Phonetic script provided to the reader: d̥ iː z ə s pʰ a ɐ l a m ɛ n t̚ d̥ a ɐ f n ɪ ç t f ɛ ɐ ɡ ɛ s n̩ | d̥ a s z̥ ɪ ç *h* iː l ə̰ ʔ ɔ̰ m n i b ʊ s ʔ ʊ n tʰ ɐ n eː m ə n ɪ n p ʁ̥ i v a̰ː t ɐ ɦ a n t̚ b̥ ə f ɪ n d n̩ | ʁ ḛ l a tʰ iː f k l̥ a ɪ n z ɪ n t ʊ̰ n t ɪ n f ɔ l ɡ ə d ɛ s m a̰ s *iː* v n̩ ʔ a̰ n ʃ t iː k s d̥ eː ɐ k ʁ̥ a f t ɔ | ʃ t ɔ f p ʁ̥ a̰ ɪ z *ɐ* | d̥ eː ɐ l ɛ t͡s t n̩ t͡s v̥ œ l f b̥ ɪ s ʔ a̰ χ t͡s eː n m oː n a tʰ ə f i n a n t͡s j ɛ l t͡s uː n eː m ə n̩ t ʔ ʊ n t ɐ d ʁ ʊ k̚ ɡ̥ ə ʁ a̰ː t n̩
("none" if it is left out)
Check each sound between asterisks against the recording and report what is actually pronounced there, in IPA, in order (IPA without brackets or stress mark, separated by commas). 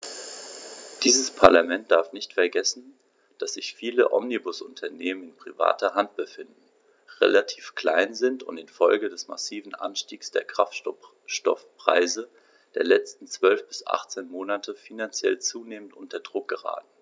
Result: f, iː, ə